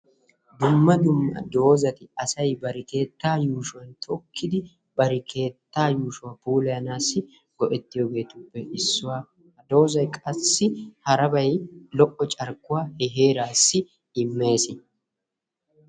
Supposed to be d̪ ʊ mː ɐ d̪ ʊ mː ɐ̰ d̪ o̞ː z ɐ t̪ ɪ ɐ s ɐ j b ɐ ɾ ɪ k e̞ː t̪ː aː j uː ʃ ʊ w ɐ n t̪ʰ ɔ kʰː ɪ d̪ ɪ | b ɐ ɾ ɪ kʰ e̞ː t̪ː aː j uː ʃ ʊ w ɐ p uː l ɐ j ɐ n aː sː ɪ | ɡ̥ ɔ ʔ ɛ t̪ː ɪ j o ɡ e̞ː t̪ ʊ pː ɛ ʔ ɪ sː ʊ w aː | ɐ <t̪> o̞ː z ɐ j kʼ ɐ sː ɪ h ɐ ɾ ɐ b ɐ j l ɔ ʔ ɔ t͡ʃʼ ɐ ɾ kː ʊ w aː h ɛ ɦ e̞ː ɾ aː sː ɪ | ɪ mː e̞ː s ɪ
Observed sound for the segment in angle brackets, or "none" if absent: d̪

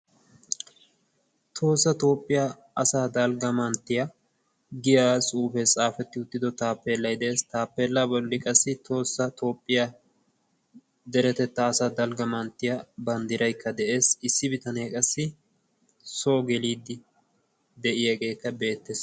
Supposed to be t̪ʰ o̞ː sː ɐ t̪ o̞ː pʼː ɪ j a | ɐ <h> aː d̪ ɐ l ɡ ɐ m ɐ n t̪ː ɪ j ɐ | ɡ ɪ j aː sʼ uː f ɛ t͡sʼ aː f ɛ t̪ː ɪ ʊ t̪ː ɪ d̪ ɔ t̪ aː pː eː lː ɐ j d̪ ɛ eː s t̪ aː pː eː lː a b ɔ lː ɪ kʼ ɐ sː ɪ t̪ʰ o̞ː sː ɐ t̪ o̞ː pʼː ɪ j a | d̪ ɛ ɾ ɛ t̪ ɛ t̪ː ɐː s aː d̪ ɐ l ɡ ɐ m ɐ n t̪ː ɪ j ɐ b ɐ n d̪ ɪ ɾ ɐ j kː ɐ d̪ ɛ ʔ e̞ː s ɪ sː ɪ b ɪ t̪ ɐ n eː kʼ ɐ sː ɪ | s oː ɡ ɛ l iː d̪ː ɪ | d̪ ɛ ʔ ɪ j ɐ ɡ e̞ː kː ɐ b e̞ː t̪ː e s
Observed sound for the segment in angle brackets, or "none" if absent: s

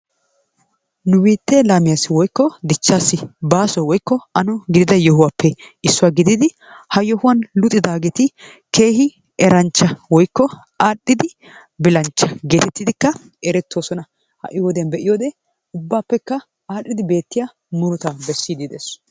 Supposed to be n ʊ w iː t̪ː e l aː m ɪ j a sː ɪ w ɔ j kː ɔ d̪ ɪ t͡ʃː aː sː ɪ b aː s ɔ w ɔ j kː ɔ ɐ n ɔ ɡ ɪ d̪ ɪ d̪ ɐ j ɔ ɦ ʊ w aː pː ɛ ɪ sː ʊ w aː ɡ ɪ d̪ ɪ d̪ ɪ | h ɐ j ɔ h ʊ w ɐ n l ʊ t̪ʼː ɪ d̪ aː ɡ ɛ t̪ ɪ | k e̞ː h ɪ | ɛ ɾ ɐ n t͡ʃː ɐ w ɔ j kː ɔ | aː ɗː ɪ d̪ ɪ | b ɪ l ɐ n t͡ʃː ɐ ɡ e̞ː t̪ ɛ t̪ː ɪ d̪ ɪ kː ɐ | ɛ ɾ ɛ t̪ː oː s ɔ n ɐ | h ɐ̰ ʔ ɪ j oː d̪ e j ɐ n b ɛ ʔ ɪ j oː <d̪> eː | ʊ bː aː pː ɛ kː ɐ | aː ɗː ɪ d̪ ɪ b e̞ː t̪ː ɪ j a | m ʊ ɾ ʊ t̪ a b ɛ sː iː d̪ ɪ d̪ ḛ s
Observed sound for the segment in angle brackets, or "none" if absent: d̪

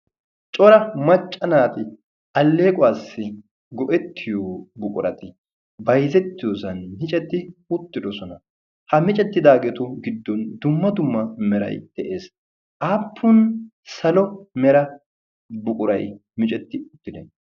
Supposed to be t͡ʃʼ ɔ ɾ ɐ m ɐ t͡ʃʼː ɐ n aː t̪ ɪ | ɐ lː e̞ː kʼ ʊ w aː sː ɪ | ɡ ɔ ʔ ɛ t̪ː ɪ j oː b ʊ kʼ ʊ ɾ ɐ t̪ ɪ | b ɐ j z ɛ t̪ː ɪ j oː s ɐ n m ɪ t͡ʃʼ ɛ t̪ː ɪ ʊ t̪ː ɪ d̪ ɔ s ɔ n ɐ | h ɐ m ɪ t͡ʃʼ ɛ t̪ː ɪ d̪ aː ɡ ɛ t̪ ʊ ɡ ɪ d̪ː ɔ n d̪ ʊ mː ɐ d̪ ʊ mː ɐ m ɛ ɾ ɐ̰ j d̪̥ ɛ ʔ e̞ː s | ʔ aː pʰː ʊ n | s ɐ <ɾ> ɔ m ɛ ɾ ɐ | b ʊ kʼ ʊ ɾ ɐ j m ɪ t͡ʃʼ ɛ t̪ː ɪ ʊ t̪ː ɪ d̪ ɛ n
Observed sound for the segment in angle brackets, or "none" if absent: l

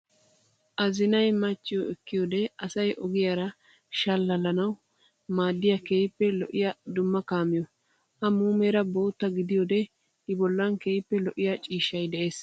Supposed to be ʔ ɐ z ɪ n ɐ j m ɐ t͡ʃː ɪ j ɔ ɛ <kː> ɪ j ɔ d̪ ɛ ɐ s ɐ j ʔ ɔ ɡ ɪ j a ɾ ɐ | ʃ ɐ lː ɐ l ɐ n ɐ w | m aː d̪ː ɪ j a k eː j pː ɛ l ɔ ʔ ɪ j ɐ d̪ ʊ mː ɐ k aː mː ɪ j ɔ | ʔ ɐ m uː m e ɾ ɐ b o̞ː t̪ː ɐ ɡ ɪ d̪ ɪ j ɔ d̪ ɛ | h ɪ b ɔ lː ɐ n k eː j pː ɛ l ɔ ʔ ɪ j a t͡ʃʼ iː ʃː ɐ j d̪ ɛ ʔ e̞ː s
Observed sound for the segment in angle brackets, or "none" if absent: kː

